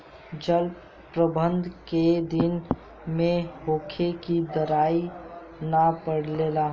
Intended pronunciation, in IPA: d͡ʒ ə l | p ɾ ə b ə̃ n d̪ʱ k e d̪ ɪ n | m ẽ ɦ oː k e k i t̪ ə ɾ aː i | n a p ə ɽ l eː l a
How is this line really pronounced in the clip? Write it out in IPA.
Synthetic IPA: d͡ʒ ə l | p ɾ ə b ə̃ n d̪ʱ k e d̪ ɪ n | m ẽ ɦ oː kʰ e k i d̪ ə ɾ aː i | n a p ə ɽ l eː l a